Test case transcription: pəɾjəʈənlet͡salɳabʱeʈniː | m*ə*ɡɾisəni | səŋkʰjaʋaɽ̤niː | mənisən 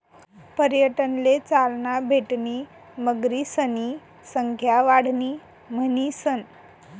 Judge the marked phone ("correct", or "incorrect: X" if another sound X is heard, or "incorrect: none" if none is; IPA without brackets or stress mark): correct